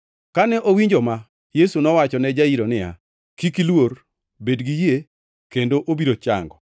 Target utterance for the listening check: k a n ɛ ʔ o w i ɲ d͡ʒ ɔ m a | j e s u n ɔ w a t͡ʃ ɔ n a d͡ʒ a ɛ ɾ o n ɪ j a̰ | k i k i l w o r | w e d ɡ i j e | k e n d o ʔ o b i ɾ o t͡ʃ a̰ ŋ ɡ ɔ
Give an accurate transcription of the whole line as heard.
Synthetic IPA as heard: k a n ɛ ʔ o w i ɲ d͡ʒ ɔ m a | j e s u n ɔ w a t͡ʃ ɔ n ɛ d͡ʒ a i ɾ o n ɪ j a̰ | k i k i l w o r | b e d ɡ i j e | k e n d o ʔ o b i ɾ o t͡ʃ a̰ ŋ ɡ ɔ